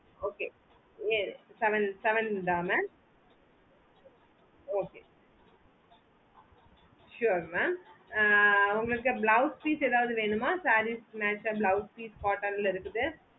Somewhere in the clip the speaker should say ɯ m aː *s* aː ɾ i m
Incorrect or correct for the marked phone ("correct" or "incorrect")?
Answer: correct